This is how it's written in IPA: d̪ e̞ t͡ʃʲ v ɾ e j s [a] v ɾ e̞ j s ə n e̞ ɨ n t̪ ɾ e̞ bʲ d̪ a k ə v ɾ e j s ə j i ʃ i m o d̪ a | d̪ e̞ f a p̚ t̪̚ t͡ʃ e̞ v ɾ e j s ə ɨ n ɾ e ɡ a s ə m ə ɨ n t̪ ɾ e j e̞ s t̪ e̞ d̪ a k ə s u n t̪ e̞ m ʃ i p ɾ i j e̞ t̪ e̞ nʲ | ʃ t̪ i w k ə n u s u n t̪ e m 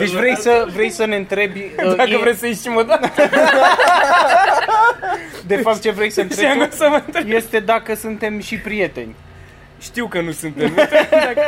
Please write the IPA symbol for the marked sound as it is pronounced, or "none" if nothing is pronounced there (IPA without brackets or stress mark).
ə